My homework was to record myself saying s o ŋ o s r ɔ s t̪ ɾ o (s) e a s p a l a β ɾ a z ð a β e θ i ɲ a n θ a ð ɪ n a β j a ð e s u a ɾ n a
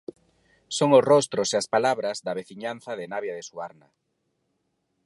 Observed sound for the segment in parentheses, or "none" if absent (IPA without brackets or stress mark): s